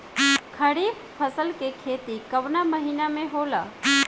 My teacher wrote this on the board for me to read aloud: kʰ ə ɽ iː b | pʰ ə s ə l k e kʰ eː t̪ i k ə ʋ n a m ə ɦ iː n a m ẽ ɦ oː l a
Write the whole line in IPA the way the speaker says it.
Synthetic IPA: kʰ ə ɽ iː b | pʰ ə s ə l k e kʰ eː t̪ i k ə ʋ n a m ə ɦ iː n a m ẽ ɦ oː l a